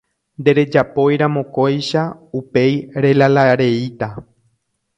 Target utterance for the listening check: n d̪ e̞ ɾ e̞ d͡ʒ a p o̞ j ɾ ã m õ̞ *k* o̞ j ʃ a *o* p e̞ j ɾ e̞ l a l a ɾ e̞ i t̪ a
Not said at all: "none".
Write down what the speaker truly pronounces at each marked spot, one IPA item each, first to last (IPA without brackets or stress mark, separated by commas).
k, u